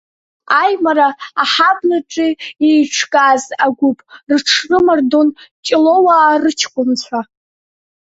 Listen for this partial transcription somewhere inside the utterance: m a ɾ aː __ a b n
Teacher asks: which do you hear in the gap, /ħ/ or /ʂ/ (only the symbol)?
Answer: ħ